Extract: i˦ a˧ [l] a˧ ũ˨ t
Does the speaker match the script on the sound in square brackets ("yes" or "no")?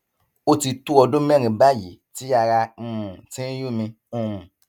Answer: no